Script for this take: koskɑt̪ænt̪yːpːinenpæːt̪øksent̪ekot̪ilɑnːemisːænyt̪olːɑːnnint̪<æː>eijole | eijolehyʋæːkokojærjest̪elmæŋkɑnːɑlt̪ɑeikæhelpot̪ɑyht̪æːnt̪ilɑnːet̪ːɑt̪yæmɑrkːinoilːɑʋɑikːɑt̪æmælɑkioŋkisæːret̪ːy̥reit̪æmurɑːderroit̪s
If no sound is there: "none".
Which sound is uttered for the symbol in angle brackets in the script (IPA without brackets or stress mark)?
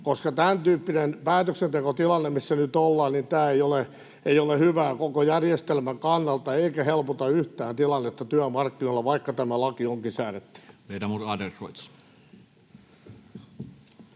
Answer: æː